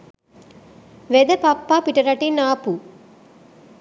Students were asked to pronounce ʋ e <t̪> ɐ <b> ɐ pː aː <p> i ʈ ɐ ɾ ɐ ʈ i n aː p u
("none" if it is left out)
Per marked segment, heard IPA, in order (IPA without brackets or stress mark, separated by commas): d̪, p, p